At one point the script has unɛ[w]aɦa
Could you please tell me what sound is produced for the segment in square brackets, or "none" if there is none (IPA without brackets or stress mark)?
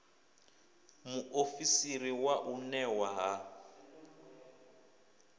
w